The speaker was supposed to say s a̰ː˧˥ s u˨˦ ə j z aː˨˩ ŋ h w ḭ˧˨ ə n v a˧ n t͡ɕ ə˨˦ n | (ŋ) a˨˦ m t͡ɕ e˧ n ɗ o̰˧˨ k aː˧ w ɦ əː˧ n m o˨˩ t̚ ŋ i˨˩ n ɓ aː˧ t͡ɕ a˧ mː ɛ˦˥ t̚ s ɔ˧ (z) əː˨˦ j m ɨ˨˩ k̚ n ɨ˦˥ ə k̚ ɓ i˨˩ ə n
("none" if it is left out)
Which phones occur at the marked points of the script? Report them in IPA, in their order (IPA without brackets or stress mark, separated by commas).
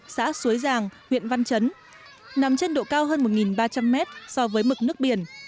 n, v